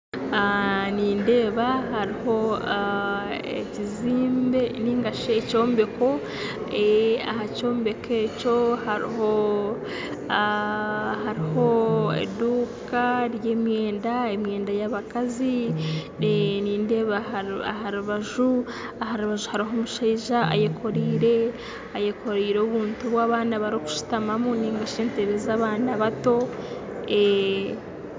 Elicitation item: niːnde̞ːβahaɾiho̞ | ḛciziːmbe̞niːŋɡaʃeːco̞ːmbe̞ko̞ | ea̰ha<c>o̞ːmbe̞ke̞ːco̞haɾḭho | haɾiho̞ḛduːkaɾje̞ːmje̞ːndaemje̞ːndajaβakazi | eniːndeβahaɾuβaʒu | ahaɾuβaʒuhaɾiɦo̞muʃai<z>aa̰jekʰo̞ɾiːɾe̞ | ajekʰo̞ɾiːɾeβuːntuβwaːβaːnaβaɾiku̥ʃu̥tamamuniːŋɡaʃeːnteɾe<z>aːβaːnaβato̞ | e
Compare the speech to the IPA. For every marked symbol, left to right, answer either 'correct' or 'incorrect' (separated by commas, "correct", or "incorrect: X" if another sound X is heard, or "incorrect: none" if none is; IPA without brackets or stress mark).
correct, incorrect: ʒ, correct